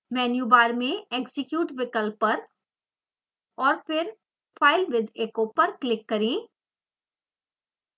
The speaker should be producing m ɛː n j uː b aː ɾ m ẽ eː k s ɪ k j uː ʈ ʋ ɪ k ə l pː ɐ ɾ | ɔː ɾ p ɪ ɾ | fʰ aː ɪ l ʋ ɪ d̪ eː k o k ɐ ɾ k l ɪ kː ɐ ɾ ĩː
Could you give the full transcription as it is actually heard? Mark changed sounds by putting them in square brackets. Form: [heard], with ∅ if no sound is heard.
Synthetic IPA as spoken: m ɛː n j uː b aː ɾ m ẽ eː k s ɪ k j uː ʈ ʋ ɪ k ə l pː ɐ ɾ | ɔː ɾ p ɪ ɾ | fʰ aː ɪ l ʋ ɪ d̪ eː k o [p] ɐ ɾ k l ɪ kː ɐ ɾ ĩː